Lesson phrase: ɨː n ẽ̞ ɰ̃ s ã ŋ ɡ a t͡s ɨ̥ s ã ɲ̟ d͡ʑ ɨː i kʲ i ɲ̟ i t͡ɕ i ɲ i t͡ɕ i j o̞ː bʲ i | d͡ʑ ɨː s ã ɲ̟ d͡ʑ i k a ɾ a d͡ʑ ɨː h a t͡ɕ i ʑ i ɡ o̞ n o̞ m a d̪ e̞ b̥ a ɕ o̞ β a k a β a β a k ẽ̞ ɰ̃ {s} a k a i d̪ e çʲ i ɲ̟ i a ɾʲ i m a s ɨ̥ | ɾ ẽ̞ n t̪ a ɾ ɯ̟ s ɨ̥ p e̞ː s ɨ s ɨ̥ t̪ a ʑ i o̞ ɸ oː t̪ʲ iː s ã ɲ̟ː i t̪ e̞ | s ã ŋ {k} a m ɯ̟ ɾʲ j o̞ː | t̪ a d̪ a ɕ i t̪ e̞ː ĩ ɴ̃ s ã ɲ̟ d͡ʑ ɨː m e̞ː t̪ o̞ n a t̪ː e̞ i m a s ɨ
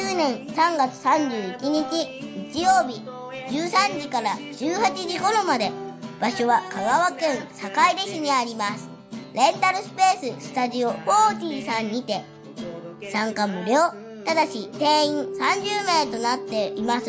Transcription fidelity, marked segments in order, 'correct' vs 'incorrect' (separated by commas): correct, correct